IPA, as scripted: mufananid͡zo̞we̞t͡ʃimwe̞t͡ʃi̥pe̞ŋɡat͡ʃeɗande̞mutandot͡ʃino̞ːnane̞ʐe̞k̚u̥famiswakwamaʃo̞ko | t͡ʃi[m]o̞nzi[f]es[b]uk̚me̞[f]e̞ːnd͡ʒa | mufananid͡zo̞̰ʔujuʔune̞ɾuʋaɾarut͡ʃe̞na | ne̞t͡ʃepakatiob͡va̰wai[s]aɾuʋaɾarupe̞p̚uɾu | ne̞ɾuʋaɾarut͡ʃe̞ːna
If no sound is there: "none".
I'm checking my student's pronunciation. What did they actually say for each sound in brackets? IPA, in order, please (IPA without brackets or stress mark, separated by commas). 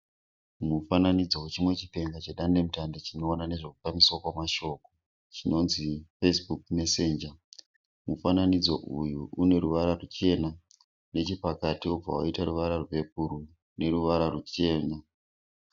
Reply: n, f, b, s, t